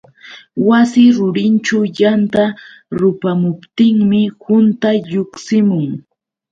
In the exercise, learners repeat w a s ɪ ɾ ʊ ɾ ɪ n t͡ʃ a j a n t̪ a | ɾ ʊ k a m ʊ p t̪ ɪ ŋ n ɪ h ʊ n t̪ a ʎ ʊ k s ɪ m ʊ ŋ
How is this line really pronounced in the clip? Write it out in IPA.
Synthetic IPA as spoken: w a s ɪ ɾ ʊ ɾ ɪ n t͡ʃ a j a n t̪ a | ɾ ʊ p a m ʊ p t̪ ɪ ŋ m ɪ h ʊ n t̪ a ʎ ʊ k s ɪ m ʊ ŋ